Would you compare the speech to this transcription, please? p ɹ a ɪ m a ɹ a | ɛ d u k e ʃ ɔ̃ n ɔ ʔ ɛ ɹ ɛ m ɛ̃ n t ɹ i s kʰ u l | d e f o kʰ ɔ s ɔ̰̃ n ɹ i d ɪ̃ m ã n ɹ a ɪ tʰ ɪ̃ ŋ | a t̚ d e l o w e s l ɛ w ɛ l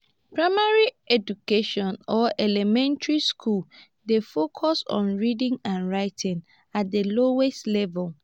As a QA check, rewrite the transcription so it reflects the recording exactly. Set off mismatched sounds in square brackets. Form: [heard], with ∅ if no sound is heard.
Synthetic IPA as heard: p ɹ a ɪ m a ɹ [i] | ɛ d u k e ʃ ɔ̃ n ɔ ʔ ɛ [l] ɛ m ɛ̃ n t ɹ i s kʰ u l | d e f o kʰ ɔ s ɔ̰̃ n ɹ i d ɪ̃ [ŋ] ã n ɹ a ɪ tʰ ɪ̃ ŋ | a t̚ d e l o w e s l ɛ [v] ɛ l